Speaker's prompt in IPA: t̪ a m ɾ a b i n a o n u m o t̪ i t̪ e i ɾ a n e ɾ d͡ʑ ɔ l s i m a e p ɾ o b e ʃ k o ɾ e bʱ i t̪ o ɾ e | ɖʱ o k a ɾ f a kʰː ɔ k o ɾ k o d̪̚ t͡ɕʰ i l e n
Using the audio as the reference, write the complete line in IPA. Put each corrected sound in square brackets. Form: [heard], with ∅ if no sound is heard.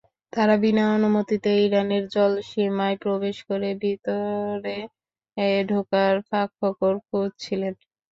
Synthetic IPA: t̪ a [∅] ɾ a b i n a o n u m o t̪ i t̪ e i ɾ a n e ɾ d͡ʑ ɔ l [ʃ] i m a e p ɾ o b e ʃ k o ɾ e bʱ i t̪ o ɾ e | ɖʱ o k a ɾ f a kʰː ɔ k o ɾ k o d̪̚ t͡ɕʰ i l e n